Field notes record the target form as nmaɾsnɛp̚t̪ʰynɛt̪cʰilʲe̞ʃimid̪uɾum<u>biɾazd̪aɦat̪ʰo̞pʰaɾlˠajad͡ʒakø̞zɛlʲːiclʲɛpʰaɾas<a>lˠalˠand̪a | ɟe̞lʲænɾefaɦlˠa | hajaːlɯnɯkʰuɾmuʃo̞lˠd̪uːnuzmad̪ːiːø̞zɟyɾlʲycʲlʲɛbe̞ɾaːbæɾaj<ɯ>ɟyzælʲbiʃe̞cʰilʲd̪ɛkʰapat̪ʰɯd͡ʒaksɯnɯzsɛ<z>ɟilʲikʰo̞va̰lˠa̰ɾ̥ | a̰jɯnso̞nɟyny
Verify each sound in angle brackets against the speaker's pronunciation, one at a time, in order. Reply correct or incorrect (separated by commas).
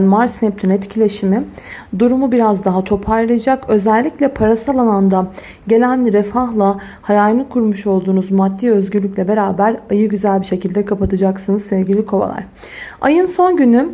correct, correct, correct, incorrect